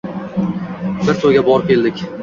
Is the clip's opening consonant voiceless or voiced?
voiced